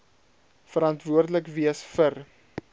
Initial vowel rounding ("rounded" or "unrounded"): unrounded